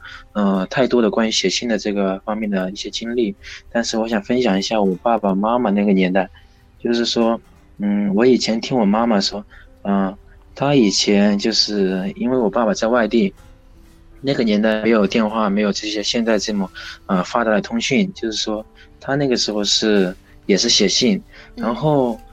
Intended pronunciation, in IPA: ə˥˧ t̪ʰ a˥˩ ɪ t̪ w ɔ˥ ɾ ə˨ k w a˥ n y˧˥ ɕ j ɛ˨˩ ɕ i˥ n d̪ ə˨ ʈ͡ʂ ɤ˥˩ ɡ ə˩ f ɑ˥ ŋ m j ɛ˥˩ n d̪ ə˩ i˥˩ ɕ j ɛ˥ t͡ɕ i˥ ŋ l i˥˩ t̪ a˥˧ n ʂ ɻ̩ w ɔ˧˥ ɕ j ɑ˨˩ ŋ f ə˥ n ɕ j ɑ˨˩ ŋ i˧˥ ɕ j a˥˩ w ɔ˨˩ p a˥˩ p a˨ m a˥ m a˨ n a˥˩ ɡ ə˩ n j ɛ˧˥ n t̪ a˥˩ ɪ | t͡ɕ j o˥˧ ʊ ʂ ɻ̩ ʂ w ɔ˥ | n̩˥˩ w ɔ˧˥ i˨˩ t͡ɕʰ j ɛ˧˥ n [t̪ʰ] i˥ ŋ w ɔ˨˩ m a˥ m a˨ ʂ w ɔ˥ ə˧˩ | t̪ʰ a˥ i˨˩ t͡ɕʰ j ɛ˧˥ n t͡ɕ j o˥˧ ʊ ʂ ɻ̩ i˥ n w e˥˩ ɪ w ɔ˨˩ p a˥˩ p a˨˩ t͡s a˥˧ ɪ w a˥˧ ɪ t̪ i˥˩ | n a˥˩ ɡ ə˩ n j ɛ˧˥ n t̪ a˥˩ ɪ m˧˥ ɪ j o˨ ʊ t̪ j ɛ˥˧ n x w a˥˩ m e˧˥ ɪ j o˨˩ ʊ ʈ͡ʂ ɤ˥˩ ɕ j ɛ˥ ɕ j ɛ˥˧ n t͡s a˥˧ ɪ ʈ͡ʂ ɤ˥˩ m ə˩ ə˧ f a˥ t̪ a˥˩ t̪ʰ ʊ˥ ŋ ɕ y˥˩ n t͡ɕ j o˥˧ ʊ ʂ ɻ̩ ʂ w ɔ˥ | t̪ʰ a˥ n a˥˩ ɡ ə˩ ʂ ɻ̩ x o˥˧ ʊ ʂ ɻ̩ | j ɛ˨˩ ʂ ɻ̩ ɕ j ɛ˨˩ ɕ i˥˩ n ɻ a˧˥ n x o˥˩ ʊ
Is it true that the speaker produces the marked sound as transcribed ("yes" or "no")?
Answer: yes